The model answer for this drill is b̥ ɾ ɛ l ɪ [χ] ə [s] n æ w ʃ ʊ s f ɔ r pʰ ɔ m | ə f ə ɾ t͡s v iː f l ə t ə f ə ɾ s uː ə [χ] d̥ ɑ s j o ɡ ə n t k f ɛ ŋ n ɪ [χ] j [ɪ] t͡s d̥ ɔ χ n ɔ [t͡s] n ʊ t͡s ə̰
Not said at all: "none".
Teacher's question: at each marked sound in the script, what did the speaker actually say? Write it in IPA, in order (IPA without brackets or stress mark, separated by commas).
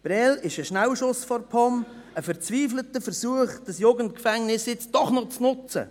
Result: ʃ, ʃ, χ, s, ɪ, t͡s